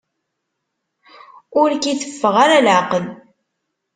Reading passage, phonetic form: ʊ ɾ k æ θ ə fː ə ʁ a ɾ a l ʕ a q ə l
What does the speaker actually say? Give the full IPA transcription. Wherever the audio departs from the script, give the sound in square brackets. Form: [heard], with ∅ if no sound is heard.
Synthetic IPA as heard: ʊ ɾ k [i] θ ə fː ə ʁ a ɾ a l ʕ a q ə l